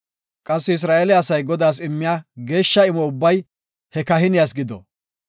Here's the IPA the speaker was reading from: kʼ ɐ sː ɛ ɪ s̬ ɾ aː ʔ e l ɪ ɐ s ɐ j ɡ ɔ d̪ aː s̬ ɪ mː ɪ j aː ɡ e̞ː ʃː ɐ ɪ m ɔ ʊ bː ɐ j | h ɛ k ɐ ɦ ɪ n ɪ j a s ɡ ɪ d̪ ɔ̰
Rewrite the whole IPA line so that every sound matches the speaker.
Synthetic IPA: kʼ ɐ sː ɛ ɪ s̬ ɾ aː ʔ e l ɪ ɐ s ɐ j ɡ ɔ d̪ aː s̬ ɪ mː ɪ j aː ɡ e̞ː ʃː ɐ ɪ m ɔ ʊ bː ɐ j | h ɛ k ɐ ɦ ɪ n ɪ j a s ɡ ɪ d̪ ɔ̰